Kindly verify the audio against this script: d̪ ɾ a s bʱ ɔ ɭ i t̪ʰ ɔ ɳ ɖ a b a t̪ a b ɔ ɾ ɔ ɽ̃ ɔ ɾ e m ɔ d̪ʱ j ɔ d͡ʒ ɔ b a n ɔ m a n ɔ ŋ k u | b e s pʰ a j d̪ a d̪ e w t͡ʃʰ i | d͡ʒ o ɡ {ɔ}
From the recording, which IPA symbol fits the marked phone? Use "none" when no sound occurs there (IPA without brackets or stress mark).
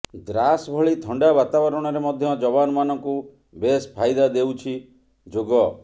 ɔ